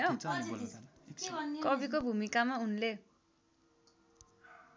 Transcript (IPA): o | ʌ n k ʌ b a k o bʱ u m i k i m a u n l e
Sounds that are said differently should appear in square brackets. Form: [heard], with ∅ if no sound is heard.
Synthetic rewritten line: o | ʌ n k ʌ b [i] k o bʱ u m i k [a] m a u n l e

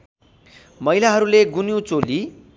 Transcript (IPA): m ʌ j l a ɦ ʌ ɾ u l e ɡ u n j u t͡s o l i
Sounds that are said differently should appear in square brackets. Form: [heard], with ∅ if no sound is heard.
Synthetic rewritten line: m ʌ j l a ɦ ʌ ɾ u l e ɡ u n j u t͡s o l i

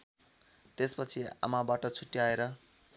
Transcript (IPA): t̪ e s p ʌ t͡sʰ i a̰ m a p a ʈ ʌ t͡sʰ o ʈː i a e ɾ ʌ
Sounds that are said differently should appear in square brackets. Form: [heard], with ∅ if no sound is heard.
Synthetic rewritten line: t̪ e s p ʌ t͡sʰ i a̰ m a [b] a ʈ ʌ t͡sʰ [u] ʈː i a e ɾ ʌ

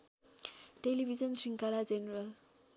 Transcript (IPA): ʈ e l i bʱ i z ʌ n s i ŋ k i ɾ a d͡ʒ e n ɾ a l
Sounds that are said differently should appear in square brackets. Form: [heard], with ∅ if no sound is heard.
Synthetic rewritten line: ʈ e l i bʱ i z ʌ n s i ŋ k [a] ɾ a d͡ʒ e n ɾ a l

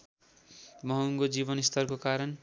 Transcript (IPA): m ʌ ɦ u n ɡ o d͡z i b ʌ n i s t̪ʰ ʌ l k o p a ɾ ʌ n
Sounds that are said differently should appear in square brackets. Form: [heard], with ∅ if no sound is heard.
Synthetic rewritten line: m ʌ ɦ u [ŋ] ɡ o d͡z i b ʌ n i s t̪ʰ ʌ [r] k o [k] a ɾ ʌ n

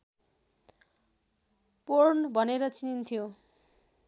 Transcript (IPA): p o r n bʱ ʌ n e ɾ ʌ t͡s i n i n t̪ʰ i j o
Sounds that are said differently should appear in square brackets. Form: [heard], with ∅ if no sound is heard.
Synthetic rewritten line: p o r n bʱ ʌ n e ɾ ʌ t͡s i n i n t̪ʰ i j o

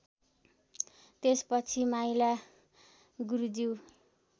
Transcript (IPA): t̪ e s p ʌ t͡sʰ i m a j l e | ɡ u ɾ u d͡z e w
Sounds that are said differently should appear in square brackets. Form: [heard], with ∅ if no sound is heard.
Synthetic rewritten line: t̪ e s p ʌ t͡sʰ i m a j l [a] | ɡ u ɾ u d͡z [i] w

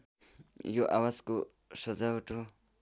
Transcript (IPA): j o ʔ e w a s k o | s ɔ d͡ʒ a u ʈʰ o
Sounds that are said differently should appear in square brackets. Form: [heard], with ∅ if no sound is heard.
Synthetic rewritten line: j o ʔ [a] w a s k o | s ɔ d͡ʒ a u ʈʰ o

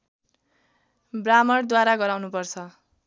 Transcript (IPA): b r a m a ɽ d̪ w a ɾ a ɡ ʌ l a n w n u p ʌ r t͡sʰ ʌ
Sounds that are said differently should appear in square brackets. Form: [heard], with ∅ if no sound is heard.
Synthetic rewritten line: b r a m [ʌ] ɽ d̪ w a ɾ a ɡ ʌ [ɾ] a [∅] w n u p ʌ r t͡sʰ ʌ

